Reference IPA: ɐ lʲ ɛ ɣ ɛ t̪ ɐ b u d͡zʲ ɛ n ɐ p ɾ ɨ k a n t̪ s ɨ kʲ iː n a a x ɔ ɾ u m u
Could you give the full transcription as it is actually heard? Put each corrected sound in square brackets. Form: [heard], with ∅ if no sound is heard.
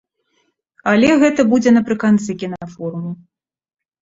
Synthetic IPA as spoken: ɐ lʲ ɛ ɣ ɛ t̪ ɐ b u d͡zʲ ɛ n ɐ p ɾ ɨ k a n t̪ s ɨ kʲ [i] n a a [f] ɔ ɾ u m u